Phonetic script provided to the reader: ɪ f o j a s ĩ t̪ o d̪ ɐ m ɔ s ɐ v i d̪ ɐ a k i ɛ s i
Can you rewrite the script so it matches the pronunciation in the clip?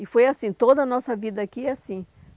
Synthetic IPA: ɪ f o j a s ĩ t̪ o d̪ ɐ n ɔ s ɐ v i d̪ ɐ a k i a s ĩ